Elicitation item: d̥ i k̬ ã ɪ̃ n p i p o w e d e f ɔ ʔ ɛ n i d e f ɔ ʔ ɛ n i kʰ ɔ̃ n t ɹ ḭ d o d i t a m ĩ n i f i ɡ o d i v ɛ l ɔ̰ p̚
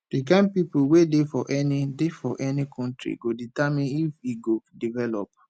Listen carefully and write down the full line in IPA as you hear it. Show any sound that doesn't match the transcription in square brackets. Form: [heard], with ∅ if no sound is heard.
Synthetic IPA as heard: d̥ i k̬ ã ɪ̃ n p i p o w e d e f ɔ ʔ ɛ n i d e f ɔ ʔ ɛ n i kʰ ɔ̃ n t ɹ ḭ [ɡ] o d i t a m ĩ n i f i ɡ o d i v ɛ l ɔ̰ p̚